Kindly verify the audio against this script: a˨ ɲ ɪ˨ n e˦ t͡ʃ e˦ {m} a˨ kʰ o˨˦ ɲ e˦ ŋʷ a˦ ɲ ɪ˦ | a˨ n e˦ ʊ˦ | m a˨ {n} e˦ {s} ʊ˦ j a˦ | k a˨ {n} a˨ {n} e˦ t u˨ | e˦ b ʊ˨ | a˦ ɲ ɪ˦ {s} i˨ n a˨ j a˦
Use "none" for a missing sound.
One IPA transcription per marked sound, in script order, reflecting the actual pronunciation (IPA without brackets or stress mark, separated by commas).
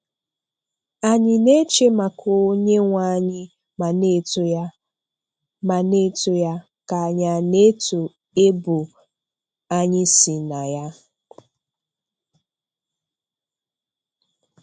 m, n, t, ɲ, n, s